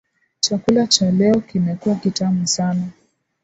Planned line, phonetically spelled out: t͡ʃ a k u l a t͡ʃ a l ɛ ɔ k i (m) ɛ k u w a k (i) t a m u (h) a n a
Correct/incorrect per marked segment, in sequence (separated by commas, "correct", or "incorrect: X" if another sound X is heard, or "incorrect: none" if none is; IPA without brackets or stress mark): correct, correct, incorrect: s